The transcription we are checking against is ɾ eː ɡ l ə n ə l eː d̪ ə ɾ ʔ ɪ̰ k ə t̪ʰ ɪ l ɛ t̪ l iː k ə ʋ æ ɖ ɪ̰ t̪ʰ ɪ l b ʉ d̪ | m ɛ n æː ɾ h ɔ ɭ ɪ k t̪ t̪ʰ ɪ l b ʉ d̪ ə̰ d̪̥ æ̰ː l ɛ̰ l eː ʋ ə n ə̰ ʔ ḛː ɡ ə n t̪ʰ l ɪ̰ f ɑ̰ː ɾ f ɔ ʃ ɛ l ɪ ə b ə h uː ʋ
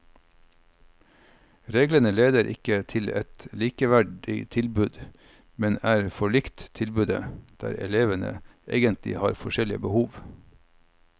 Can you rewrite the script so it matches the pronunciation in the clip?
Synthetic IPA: ɾ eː ɡ l ə n ə l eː d̪ ə ɾ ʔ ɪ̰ k ə t̪ʰ ɪ l ɛ t̪ l iː k ə ʋ æ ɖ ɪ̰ t̪ʰ ɪ l b ʉ d̪ | m ɛ n æː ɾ f ɔ ɭ ɪ k t̪ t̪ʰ ɪ l b ʉ d̪ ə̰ d̪̥ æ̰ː ɾ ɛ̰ l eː ʋ ə n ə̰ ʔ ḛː ɡ ə n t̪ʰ l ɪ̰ h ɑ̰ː ɾ f ɔ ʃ ɛ l ɪ ə b ə h uː ʋ